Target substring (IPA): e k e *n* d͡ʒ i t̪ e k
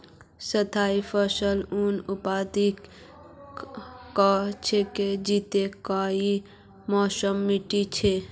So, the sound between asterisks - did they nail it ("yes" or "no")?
no